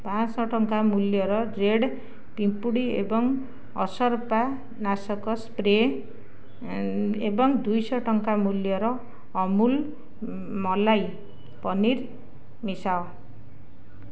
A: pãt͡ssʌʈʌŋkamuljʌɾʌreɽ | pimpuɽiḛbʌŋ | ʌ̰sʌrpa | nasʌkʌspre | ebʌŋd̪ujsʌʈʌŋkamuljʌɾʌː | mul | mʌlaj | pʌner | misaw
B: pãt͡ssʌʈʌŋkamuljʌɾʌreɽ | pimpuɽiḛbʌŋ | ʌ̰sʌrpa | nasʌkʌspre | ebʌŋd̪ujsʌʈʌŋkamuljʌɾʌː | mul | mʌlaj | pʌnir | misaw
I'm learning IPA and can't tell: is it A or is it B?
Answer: B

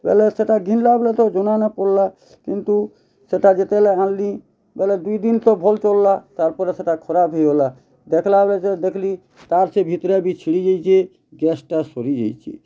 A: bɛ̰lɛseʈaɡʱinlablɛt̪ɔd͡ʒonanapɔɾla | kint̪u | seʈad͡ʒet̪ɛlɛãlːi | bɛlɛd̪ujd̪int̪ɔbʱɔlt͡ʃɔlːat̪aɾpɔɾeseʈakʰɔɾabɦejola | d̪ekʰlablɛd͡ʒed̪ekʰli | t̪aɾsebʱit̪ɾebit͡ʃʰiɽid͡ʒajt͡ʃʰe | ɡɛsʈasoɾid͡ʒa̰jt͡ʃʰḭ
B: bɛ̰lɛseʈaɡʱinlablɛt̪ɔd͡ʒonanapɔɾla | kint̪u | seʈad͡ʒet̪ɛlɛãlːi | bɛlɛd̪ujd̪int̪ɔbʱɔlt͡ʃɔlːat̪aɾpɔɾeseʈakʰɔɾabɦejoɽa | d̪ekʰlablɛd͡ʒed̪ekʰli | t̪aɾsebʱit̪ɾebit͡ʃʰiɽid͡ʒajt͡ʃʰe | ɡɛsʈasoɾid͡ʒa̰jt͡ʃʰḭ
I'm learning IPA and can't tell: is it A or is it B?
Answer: A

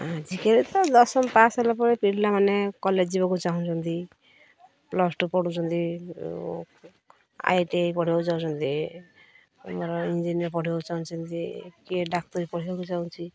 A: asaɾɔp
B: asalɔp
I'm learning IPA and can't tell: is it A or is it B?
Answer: B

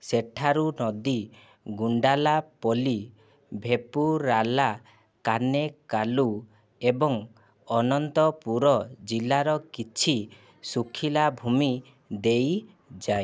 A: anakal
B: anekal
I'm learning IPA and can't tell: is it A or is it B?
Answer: B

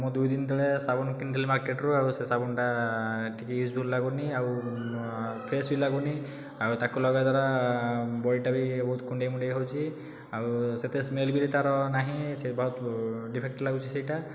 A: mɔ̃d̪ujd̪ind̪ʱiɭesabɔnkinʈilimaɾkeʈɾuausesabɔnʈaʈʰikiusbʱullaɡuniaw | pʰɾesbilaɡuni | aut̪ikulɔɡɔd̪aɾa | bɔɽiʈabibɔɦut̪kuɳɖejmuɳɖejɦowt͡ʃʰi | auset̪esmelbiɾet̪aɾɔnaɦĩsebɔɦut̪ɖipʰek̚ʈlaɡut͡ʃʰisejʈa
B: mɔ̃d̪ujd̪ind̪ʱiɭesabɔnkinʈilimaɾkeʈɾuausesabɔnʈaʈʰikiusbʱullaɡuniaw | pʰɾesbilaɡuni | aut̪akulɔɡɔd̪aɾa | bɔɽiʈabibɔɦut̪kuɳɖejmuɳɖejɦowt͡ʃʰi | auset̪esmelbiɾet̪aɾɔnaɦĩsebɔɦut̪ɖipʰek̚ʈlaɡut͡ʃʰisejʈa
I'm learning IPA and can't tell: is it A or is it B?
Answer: B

